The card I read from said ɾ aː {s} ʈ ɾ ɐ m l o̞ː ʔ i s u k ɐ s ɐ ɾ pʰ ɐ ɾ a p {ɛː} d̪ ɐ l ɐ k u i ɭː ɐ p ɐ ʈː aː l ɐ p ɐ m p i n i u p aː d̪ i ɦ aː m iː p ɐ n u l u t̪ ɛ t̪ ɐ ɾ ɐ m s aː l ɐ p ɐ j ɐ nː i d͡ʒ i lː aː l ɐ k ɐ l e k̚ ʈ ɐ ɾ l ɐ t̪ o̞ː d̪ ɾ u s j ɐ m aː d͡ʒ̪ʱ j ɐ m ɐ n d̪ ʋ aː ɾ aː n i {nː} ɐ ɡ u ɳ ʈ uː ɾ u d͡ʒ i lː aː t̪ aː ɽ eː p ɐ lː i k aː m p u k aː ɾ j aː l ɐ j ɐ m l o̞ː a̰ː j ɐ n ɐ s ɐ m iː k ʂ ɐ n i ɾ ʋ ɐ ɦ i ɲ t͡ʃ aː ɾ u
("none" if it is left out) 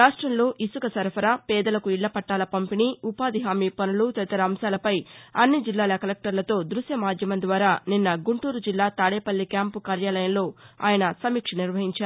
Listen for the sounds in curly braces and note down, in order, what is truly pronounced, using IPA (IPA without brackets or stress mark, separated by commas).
ʂ, ɛː, nː